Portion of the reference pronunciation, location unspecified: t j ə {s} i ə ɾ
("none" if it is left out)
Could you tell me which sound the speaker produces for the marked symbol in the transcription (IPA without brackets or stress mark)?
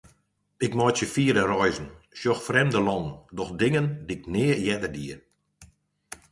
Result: f